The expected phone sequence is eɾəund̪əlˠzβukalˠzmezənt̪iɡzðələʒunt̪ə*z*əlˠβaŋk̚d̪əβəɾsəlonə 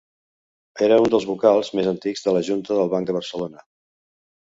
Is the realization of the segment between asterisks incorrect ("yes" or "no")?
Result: yes